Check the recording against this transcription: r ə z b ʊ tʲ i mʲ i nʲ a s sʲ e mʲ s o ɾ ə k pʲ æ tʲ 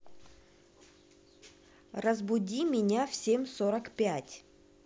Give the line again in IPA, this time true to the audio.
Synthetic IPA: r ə z b ʊ dʲ i mʲ ɪ nʲ a f sʲ e mʲ s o ɾ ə k pʲ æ tʲ